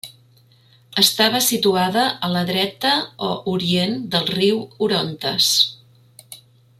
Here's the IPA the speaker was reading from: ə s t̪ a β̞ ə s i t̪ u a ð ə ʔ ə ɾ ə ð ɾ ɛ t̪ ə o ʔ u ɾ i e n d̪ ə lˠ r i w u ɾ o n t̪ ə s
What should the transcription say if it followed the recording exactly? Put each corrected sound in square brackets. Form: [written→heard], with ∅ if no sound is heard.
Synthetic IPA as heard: ə s t̪ a β̞ ə s i t̪ u a ð ə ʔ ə [ɾ→l] ə ð ɾ ɛ t̪ ə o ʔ u ɾ i e n d̪ ə lˠ r i w u ɾ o n t̪ ə s